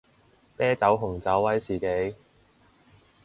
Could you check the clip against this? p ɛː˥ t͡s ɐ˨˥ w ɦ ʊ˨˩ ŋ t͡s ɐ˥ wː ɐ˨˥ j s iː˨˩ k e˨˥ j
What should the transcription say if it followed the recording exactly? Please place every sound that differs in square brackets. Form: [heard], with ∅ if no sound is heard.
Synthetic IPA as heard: p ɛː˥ t͡s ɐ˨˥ w ɦ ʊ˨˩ ŋ t͡s [ɐ˨˥] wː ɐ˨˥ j s iː˨˩ k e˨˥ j

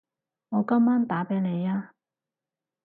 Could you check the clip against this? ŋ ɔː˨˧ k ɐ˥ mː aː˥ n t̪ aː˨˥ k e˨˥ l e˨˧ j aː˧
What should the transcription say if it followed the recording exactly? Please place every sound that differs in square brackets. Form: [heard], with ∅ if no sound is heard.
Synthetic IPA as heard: ŋ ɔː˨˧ k ɐ˥ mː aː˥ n t̪ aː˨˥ [p] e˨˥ l e˨˧ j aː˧

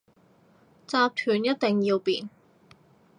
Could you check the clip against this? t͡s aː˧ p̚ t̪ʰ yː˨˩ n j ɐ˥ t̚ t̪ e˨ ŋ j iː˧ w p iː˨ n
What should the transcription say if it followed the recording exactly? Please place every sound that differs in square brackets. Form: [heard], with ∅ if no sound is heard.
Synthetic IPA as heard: t͡s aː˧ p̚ t̪ʰ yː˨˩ n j ɐ˥ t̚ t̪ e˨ ŋ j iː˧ w p iː˨ n

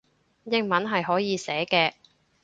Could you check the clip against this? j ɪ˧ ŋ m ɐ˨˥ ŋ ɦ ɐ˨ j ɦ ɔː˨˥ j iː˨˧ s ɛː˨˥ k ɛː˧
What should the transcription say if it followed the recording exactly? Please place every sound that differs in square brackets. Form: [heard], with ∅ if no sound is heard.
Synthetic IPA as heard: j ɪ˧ ŋ m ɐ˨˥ [n] ɦ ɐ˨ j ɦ ɔː˨˥ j iː˨˧ s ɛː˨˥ k ɛː˧

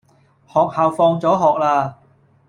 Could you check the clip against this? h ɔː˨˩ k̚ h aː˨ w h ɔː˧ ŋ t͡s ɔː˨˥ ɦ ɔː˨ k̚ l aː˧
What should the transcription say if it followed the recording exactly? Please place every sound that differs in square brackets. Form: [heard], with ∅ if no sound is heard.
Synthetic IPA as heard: h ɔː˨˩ k̚ h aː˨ w [f] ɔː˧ ŋ t͡s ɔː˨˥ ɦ ɔː˨ k̚ l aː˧

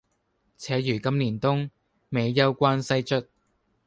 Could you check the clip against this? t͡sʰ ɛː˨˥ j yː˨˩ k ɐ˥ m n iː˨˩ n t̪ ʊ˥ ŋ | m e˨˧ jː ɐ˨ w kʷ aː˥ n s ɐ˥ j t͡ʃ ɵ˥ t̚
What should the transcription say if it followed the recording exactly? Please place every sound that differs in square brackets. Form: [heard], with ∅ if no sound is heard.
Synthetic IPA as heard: t͡sʰ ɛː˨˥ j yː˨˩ k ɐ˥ m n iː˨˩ n t̪ ʊ˥ ŋ | m e˨˧ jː [ɐ˥] w kʷ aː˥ n s ɐ˥ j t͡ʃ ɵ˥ t̚

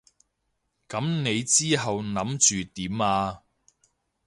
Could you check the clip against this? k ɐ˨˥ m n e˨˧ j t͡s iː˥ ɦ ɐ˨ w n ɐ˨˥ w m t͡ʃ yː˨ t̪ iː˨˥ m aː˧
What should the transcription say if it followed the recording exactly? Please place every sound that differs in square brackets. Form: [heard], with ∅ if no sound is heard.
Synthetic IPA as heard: k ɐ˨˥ m n e˨˧ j t͡s iː˥ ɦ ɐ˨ w n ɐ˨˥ [∅] m t͡ʃ yː˨ t̪ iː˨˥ m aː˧

